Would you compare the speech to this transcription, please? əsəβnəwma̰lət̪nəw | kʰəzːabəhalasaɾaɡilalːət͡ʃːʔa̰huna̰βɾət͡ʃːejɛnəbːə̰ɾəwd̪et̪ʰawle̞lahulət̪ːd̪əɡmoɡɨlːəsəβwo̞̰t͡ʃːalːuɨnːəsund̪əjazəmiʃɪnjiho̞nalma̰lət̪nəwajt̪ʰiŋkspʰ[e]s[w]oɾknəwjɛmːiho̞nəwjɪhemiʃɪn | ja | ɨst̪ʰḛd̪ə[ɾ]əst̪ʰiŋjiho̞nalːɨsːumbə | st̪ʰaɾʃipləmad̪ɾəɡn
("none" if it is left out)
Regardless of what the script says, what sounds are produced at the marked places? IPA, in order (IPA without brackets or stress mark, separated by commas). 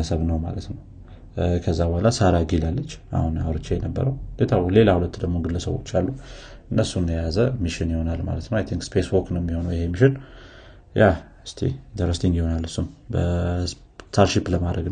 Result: e, w, ɾ